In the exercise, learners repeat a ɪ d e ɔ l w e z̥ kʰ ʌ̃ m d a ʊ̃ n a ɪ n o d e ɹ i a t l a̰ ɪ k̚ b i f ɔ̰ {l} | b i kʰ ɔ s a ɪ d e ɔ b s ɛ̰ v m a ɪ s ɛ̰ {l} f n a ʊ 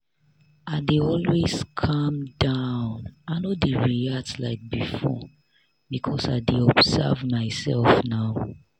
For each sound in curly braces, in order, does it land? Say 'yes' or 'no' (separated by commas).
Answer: no, yes